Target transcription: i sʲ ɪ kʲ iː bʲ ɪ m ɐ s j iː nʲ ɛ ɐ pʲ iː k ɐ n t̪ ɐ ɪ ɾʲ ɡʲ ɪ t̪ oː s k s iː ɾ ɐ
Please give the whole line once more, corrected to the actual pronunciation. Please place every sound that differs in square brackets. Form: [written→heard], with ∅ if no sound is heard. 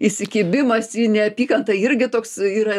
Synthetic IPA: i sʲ ɪ kʲ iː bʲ ɪ m ɐ s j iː nʲ ɛ ɐ pʲ iː k ɐ n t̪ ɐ ɪ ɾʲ ɡʲ ɪ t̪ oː [s→∅] k s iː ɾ ɐ